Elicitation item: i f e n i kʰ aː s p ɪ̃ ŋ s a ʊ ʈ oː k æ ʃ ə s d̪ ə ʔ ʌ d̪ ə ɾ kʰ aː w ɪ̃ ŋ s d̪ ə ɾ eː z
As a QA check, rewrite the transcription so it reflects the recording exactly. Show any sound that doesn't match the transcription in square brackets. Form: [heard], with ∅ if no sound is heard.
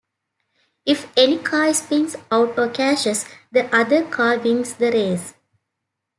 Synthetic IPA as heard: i f e n i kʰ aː s p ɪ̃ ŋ s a ʊ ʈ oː k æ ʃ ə s d̪ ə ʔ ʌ d̪ ə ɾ kʰ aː [ʋ] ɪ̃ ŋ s d̪ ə ɾ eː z